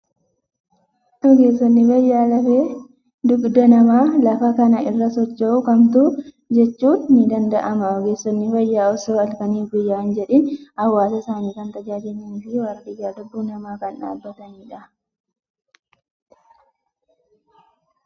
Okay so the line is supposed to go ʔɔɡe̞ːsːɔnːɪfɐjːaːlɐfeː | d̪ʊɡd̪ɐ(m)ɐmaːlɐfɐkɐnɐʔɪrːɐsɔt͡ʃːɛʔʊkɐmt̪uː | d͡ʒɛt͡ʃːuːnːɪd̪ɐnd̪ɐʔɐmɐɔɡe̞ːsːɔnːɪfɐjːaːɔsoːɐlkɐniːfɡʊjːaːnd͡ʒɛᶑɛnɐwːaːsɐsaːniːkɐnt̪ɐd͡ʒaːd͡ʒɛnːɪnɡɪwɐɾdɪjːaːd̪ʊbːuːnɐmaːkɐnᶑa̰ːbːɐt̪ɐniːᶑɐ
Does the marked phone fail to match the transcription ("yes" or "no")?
yes